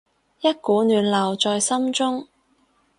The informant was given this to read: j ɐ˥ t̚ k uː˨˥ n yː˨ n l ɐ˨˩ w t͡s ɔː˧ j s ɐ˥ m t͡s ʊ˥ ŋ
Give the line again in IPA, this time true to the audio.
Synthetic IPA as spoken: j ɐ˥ t̚ k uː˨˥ n yː˨ n l ɐ˨˩ w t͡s ɔː˧ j s ɐ˥ m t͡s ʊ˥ ŋ